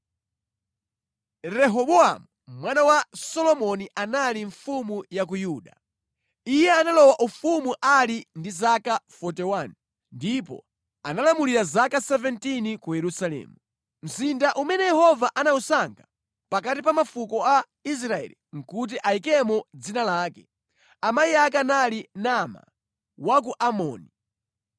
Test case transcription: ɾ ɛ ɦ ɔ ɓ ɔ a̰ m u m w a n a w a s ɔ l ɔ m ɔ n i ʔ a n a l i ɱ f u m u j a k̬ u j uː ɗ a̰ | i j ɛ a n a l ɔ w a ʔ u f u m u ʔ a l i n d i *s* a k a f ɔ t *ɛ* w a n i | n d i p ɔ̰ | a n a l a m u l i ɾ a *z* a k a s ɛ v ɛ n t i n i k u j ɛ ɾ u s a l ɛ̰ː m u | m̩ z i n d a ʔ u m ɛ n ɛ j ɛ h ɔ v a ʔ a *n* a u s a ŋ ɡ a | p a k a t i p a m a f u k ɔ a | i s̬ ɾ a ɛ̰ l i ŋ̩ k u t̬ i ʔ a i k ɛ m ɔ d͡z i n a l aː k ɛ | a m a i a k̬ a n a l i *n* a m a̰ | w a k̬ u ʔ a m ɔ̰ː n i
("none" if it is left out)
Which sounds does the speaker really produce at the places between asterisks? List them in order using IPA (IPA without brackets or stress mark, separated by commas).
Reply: z, ɛ, z, n, n